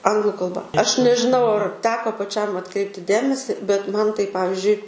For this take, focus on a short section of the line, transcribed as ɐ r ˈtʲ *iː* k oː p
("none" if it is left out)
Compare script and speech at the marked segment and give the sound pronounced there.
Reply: æː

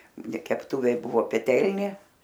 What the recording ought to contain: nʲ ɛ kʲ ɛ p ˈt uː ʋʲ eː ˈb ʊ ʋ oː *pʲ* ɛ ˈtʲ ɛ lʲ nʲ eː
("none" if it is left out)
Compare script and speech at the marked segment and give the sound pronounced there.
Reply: pʲ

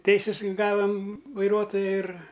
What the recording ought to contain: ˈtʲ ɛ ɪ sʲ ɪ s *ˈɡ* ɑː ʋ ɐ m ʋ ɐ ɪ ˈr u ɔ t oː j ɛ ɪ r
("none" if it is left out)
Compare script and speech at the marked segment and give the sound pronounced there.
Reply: ɡ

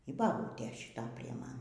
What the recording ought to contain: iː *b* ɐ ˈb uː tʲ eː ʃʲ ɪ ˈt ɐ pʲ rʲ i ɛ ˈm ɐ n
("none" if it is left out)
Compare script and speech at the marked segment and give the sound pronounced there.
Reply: b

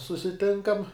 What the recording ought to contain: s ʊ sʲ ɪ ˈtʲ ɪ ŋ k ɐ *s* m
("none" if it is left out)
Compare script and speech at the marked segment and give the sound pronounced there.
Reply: none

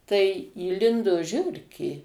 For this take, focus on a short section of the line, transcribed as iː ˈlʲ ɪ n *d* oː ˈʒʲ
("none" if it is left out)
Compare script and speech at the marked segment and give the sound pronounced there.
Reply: d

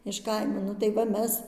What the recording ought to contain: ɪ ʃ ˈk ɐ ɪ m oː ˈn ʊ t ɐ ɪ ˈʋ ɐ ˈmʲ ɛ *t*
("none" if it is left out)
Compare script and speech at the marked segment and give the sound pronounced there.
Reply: s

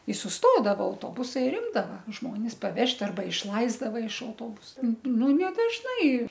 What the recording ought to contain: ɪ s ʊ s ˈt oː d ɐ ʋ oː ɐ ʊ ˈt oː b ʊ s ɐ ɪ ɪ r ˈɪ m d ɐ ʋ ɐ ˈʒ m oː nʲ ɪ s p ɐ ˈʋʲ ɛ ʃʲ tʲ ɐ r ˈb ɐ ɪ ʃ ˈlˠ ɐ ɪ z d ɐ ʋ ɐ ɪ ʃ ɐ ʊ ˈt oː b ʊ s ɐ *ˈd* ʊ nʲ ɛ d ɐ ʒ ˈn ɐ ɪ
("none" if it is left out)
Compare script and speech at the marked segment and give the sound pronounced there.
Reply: n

